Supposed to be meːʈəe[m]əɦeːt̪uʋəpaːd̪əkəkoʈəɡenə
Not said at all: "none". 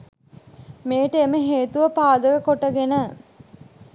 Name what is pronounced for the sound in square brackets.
m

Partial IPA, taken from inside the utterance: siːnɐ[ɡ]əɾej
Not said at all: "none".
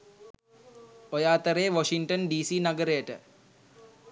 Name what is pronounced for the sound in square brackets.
ɡ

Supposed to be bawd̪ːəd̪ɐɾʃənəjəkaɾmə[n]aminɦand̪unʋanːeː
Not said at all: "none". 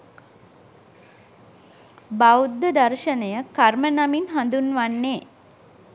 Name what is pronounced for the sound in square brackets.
n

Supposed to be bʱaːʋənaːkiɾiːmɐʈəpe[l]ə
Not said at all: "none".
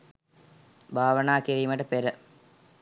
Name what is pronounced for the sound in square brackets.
ɾ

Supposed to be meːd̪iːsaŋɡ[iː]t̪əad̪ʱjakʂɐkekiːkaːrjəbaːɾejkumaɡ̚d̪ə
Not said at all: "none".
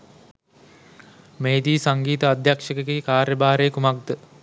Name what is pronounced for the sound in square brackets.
iː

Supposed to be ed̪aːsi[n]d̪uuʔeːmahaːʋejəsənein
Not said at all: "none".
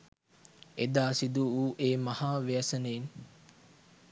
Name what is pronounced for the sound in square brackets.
none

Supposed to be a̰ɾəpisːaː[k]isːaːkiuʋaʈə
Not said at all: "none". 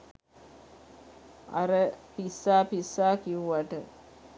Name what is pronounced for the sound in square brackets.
p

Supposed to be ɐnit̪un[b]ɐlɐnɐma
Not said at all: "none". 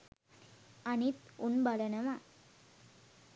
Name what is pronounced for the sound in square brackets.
b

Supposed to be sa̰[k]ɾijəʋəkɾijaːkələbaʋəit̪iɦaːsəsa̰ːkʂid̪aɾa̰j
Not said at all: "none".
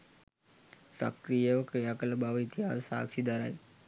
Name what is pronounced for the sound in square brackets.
k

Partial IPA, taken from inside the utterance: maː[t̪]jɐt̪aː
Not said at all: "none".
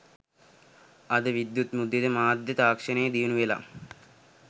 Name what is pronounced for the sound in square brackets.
d̪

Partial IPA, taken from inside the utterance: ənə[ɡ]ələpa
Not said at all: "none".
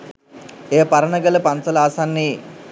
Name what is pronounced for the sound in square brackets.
ɡ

